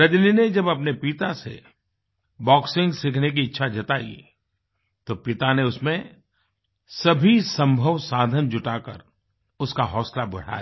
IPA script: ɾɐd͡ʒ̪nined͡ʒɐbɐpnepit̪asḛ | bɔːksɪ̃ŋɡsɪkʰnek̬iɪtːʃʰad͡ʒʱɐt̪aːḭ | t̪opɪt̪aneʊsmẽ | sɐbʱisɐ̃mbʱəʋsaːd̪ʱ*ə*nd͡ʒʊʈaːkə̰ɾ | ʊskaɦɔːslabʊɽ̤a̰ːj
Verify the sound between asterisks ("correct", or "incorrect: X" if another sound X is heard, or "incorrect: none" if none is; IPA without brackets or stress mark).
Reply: correct